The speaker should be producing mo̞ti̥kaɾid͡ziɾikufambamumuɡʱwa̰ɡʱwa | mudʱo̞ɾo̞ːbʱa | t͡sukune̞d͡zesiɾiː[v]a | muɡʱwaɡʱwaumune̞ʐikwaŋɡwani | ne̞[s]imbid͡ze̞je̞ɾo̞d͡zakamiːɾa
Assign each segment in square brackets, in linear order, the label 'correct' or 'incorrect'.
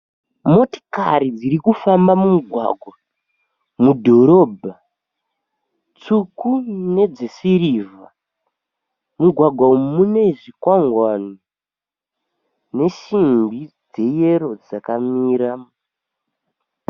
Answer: correct, incorrect

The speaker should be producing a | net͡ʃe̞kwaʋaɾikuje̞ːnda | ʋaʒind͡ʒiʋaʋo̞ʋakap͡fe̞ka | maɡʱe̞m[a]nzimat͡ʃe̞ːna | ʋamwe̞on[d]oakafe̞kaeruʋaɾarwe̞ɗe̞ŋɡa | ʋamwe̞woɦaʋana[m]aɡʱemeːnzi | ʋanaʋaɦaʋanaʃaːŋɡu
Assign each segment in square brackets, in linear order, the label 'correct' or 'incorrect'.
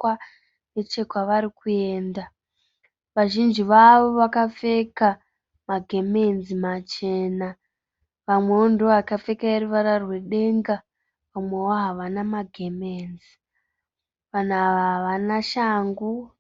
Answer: incorrect, correct, correct

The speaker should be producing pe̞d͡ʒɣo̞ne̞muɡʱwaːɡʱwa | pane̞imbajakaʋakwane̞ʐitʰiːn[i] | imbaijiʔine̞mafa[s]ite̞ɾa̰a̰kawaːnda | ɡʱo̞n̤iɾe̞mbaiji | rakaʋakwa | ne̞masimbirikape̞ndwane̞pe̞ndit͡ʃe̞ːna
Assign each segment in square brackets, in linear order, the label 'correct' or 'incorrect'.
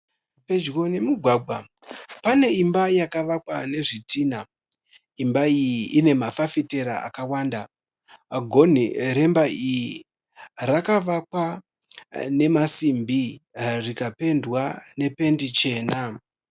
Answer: incorrect, incorrect

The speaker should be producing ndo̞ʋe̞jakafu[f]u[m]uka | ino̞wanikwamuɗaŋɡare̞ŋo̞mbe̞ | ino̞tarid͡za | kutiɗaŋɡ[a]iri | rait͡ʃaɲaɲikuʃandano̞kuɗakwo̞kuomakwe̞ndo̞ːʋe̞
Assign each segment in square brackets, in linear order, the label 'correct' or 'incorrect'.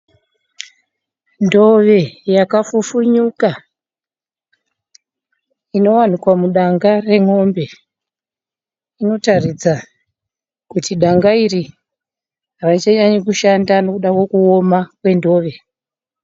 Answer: correct, incorrect, correct

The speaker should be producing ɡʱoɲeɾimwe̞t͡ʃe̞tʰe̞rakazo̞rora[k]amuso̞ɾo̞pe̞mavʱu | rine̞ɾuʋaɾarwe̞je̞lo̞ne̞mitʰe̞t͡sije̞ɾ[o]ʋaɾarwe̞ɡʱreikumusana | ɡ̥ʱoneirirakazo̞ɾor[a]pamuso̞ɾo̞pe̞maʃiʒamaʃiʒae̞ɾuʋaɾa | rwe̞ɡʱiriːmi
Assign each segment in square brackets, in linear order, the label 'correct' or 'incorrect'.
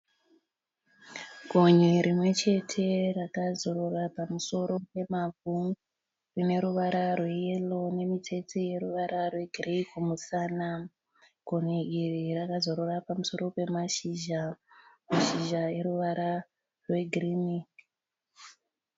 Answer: incorrect, incorrect, correct

